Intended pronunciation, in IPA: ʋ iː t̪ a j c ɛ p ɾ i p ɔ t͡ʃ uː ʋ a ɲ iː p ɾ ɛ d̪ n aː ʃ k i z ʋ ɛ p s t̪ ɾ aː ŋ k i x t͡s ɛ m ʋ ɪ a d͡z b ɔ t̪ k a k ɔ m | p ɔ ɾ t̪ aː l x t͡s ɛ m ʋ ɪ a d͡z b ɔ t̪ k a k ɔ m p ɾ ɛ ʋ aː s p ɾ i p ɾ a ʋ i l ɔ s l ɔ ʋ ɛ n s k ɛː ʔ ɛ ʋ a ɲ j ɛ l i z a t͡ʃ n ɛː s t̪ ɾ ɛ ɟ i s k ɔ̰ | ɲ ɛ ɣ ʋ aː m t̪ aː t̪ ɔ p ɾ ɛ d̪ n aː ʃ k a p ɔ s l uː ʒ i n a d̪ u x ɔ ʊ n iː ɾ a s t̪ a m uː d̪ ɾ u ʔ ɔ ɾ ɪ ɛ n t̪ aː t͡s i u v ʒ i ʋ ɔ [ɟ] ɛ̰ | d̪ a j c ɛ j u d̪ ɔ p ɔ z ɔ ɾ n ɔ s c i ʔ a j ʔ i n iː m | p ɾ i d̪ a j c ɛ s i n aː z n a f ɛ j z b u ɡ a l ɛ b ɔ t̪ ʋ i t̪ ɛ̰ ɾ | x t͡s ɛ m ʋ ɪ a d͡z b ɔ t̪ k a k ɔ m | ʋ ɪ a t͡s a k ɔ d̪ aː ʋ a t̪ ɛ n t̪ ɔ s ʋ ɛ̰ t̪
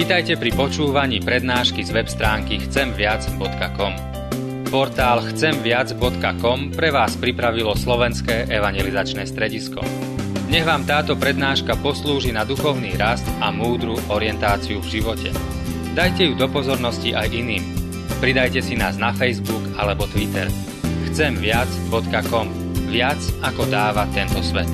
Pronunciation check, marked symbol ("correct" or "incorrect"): incorrect